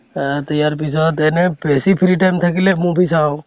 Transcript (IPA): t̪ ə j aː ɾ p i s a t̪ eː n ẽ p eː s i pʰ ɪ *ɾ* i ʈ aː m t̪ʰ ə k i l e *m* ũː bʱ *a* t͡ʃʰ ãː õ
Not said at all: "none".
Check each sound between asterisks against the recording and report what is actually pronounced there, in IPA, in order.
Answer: ɾ, m, i

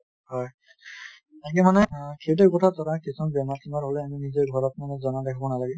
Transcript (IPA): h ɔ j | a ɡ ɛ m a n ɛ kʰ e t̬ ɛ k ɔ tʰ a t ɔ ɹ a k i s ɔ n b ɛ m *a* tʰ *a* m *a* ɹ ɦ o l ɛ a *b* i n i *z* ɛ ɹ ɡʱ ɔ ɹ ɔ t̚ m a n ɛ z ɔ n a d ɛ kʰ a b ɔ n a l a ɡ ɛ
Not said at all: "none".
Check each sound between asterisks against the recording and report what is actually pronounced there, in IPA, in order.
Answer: a, i, a, m, z

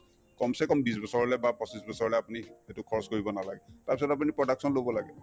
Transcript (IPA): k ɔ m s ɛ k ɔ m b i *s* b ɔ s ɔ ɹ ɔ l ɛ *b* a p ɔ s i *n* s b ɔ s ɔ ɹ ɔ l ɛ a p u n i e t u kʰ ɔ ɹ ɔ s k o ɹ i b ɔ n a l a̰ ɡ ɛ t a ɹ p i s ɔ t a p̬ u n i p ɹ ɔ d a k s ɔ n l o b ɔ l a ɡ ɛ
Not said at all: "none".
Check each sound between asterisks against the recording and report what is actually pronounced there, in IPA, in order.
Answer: s, b, none

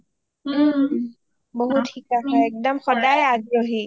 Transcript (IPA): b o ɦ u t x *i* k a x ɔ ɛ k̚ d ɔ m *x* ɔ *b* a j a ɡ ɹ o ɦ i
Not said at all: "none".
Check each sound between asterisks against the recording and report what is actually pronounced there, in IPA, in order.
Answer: i, x, d

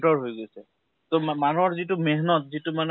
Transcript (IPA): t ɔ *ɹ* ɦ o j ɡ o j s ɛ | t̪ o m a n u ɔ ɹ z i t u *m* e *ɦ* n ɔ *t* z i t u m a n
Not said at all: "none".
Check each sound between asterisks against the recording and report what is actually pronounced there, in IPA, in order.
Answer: ɹ, m, ɦ, t

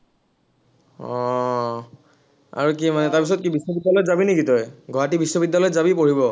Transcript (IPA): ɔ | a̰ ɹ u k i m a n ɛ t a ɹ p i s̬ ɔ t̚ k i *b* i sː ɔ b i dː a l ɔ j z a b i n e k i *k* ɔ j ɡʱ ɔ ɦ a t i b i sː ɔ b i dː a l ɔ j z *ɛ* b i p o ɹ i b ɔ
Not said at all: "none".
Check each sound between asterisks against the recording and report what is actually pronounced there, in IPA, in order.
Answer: b, t, a

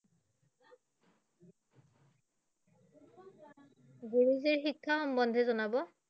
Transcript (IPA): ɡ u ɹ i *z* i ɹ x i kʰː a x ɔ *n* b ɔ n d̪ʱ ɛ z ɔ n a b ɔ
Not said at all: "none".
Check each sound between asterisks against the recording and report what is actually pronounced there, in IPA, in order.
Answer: z, m

